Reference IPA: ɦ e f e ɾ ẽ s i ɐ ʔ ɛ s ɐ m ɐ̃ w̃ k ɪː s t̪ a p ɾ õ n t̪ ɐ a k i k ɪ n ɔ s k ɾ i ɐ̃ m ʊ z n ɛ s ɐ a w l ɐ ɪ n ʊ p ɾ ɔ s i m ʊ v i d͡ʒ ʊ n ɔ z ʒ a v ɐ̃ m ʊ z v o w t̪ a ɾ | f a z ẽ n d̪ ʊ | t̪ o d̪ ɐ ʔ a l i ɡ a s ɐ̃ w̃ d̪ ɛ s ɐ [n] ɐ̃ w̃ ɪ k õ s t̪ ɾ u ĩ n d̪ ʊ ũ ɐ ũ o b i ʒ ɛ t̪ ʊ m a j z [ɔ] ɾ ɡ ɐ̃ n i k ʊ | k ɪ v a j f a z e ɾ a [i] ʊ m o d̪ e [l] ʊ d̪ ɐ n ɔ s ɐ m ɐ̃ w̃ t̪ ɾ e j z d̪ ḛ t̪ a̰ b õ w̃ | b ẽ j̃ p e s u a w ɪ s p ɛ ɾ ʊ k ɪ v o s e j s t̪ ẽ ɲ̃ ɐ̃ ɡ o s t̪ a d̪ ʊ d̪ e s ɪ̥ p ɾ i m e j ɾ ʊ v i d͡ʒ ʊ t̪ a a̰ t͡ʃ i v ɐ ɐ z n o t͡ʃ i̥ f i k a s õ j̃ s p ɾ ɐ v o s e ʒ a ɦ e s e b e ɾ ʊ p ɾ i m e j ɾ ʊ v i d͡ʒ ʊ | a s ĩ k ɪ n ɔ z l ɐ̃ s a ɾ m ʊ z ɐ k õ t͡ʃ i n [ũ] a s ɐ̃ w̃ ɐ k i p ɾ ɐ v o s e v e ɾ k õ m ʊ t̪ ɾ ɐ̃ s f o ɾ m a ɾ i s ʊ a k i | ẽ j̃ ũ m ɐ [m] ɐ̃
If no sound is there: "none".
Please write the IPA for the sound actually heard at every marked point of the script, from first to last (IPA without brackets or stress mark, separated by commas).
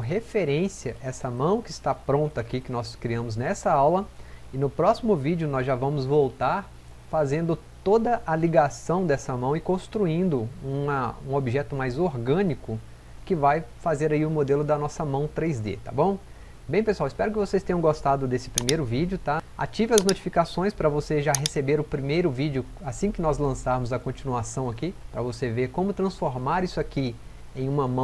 m, o, i, l, u, m